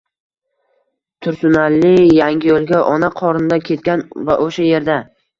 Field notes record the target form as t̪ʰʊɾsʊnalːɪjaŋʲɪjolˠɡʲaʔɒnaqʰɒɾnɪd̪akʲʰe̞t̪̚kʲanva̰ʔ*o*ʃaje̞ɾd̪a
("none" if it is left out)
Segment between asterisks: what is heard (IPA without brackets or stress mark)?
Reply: o